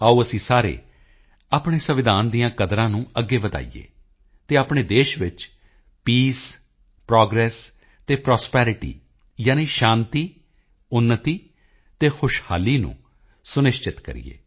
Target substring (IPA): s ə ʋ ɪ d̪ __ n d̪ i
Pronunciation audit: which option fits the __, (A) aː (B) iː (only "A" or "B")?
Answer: A